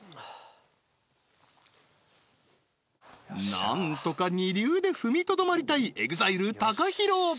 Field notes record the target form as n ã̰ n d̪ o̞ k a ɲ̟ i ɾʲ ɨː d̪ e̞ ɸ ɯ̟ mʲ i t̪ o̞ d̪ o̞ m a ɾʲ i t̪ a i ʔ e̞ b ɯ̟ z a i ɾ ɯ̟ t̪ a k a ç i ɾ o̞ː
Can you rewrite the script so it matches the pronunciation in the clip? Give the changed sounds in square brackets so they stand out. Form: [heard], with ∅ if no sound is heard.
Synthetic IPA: n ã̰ n [t̪] o̞ k a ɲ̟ i ɾʲ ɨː d̪ e̞ ɸ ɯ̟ mʲ i t̪ o̞ d̪ o̞ m a ɾʲ i t̪ a i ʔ e̞ [ɡ] ɯ̟ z a i ɾ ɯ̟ t̪ a k a ç i ɾ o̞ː